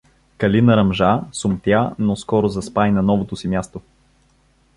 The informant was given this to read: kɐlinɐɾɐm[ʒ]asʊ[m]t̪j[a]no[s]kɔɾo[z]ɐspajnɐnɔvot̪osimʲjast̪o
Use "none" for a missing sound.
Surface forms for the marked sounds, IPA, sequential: ʒ, m, a, s, z

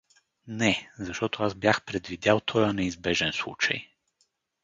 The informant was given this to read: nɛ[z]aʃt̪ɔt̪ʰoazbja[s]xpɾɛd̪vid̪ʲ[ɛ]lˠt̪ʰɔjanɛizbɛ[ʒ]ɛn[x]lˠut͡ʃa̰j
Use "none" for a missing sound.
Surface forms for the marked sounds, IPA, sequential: z, none, a, ʒ, s

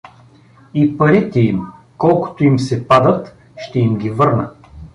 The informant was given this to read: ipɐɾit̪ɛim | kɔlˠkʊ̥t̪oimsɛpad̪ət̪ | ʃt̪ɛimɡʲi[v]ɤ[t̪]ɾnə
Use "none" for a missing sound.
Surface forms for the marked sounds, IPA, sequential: v, none

